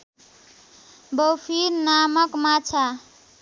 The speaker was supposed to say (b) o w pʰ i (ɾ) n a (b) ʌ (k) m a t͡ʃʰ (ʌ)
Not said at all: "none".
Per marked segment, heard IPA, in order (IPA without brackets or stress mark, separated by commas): b, ɾ, m, k, a